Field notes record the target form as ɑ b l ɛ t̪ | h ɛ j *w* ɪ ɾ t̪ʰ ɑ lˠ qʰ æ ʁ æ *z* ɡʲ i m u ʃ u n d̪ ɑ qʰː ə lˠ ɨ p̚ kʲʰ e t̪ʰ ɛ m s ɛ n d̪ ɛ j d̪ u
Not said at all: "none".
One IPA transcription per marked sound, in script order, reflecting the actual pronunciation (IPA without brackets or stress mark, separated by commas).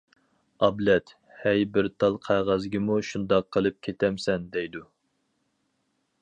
b, z